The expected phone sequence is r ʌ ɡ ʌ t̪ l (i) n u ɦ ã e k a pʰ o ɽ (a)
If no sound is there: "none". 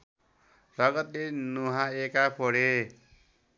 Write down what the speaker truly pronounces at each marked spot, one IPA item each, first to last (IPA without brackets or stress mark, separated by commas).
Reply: e, e